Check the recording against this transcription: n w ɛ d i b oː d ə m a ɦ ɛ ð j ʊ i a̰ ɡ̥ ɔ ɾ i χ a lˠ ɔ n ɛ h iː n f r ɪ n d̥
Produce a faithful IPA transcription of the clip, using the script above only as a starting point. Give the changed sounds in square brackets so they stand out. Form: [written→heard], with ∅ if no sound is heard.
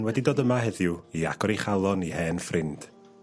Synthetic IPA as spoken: n w ɛ d i [b→d] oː d ə m a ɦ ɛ ð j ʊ i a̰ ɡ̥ ɔ ɾ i χ a lˠ ɔ n [ɛ→i] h [iː→ɛː] n f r ɪ n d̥